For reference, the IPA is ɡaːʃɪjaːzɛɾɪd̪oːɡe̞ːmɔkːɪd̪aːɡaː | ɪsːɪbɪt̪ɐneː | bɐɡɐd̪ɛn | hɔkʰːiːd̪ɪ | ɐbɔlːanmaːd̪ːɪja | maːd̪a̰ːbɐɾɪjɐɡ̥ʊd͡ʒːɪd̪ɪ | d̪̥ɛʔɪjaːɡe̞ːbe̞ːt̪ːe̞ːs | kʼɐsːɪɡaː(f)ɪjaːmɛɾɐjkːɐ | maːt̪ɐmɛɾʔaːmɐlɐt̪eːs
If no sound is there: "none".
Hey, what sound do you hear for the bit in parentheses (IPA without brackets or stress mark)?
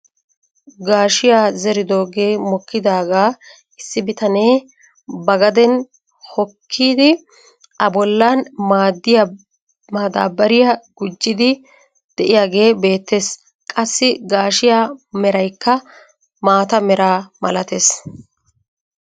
ʃ